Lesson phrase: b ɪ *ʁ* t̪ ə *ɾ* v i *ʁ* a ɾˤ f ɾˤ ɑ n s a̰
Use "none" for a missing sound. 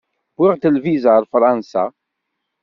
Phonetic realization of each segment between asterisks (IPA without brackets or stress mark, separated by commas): ʁ, l, z